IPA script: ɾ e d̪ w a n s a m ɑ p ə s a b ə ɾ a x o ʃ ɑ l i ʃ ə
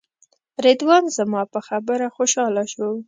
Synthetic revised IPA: ɾ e d̪ w ɑ n z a m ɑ p ə x a b ə ɾ a x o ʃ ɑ l a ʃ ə